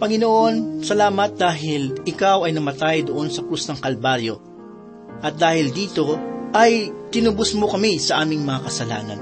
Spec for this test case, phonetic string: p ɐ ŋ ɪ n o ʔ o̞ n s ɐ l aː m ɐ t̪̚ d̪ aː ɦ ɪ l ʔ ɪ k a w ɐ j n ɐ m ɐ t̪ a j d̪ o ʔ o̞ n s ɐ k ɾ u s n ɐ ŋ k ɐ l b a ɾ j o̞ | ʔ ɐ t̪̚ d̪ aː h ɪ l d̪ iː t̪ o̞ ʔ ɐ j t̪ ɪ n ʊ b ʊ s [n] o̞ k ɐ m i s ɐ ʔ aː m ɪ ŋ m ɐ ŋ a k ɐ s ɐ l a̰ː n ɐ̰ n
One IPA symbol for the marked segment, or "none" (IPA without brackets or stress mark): m